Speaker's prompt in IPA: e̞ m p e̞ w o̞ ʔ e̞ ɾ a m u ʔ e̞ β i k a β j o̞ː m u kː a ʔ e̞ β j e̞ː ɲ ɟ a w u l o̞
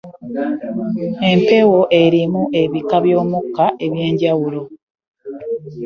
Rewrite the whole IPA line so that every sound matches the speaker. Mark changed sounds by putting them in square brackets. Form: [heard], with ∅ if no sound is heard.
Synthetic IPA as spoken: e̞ m p e̞ w o̞ ʔ e̞ ɾ [i] m u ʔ e̞ β i k a β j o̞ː m u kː a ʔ e̞ β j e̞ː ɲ ɟ a w u l o̞